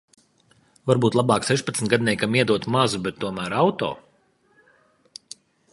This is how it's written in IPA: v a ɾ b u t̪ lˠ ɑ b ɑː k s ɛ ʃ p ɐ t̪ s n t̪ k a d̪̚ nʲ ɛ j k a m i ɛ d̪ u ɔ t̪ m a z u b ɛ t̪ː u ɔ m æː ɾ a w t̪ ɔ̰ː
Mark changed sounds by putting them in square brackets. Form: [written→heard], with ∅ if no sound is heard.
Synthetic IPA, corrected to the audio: v a ɾ b [u→uː] t̪ lˠ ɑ b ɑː k s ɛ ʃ p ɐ t̪ s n t̪ [k→ɡ] a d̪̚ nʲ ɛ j k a m i ɛ d̪ u ɔ t̪ m a z u b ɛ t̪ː u ɔ m æː ɾ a w t̪ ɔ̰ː